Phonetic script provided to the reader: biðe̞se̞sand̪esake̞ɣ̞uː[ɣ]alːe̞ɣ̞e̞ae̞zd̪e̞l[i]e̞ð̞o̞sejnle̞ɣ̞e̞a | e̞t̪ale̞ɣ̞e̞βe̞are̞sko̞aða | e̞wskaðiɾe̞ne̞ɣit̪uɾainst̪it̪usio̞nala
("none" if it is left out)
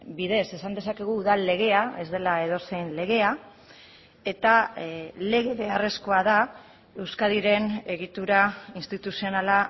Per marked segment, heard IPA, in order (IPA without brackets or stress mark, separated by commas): ð, a